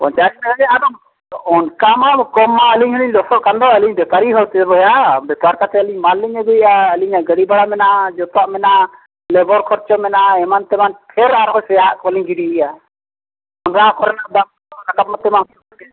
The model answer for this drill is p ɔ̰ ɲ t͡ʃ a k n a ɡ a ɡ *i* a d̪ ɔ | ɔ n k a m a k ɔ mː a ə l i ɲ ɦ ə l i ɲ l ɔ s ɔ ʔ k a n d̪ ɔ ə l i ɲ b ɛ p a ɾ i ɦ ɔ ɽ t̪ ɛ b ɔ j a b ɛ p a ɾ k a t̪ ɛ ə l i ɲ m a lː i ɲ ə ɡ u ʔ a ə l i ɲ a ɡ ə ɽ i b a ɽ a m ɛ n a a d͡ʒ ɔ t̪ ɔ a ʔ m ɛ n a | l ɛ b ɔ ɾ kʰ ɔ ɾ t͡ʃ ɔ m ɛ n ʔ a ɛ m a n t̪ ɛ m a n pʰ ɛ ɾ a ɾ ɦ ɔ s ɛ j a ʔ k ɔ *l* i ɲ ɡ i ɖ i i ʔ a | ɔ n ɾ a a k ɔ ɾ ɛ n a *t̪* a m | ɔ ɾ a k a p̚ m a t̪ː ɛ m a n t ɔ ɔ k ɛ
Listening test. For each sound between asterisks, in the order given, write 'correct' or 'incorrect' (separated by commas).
incorrect, correct, incorrect